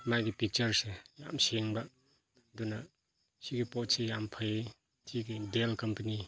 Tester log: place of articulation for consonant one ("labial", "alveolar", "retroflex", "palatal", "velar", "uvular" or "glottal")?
labial